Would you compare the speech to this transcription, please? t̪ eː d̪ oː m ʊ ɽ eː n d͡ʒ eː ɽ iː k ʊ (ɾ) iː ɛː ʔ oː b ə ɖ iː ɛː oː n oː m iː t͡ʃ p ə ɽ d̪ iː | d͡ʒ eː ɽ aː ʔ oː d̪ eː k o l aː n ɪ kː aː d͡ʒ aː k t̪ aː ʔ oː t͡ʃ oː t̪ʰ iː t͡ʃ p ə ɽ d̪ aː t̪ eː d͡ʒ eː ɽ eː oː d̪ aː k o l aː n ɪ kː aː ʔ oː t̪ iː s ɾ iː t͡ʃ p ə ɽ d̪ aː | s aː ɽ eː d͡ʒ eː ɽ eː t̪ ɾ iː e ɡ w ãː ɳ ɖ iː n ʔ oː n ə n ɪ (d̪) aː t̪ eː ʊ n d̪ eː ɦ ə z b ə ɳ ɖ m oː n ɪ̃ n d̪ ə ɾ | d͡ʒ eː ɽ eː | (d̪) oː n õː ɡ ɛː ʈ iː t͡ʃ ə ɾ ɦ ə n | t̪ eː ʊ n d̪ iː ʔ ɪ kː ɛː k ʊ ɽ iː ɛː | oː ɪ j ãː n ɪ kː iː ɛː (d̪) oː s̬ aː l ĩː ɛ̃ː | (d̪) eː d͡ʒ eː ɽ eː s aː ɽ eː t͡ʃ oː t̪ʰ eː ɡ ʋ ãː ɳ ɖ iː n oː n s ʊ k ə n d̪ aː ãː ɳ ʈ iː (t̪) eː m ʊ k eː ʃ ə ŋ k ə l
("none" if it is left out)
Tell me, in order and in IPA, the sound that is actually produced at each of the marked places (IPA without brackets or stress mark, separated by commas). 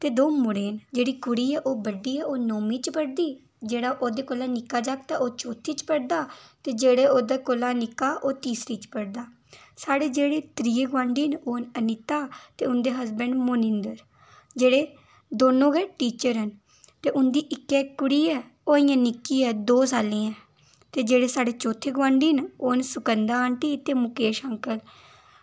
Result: ɽ, t̪, d̪, d̪, t̪, t̪